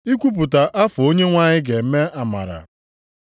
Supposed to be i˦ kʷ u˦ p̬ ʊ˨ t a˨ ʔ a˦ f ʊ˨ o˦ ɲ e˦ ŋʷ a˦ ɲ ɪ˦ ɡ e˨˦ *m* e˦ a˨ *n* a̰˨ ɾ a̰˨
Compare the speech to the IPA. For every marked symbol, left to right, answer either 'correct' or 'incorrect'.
correct, incorrect

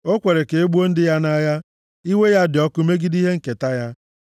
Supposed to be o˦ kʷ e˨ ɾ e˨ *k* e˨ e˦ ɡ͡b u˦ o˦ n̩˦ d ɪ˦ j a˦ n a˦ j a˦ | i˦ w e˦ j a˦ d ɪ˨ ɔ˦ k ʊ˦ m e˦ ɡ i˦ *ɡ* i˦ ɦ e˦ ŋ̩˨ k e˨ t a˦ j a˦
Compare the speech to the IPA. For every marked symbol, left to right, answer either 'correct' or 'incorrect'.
correct, incorrect

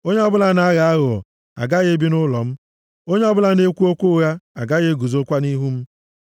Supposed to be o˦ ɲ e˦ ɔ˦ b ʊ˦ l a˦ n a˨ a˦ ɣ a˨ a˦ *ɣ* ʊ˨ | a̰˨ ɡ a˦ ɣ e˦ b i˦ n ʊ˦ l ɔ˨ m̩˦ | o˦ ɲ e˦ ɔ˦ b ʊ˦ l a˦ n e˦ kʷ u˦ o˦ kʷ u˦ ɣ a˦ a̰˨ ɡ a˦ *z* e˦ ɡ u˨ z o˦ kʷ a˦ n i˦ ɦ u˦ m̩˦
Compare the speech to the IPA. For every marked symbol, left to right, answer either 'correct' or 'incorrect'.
correct, incorrect

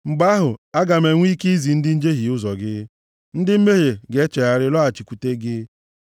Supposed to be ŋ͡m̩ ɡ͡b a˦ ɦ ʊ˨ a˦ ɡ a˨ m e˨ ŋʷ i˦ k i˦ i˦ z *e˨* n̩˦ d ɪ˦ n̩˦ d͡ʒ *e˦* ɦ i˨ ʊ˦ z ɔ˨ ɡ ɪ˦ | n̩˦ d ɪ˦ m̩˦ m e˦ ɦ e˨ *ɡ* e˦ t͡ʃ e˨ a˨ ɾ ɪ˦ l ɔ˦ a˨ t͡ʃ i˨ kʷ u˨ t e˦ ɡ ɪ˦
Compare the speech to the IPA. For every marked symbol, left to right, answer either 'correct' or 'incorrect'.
incorrect, correct, correct

